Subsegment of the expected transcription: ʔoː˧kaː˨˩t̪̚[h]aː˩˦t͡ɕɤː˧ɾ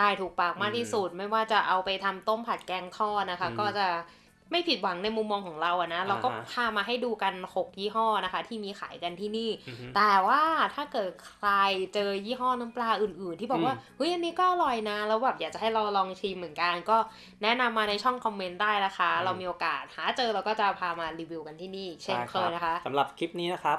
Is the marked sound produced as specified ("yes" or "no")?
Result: yes